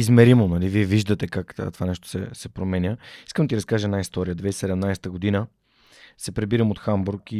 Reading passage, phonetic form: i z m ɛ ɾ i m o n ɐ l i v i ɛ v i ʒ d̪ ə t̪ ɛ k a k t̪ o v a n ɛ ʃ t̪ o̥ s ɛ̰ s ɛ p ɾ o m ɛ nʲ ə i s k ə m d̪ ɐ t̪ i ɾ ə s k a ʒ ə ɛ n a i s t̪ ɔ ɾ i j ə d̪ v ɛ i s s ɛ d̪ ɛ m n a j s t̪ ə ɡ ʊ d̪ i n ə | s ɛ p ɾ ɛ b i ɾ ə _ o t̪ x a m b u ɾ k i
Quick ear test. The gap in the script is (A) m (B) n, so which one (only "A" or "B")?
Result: A